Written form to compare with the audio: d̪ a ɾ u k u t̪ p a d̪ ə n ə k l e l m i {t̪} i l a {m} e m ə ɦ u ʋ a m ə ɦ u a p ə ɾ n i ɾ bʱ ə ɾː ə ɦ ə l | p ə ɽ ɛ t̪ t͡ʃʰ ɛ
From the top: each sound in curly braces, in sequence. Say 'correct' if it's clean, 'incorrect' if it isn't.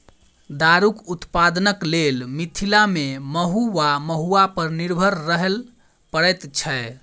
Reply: incorrect: t̪ʰ, correct

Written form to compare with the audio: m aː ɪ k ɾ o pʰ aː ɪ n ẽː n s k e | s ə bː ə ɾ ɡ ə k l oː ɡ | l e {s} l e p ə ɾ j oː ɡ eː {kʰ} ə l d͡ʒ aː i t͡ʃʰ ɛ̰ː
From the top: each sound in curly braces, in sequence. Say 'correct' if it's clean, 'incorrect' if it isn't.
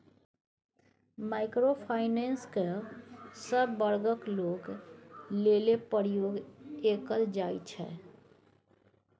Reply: incorrect: none, incorrect: k

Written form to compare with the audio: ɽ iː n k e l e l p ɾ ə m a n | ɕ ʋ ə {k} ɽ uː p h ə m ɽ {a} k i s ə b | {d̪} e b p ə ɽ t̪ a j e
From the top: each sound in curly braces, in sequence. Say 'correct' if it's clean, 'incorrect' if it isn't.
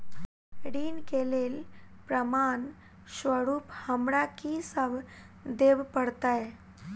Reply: incorrect: none, correct, correct

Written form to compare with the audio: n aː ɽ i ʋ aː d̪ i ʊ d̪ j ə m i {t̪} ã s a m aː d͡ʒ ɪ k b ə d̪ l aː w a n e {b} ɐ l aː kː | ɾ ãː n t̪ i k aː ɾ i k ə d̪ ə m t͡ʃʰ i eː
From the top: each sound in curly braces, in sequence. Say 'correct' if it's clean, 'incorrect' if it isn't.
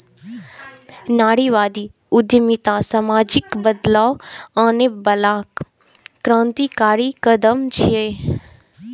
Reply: correct, correct

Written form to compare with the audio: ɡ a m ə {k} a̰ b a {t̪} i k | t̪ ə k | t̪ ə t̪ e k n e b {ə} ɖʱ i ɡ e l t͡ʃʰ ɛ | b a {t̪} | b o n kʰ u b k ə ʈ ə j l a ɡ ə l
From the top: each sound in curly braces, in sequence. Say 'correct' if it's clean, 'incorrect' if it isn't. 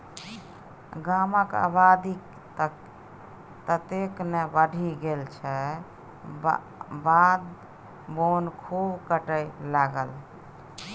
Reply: correct, incorrect: d̪, correct, incorrect: d̪

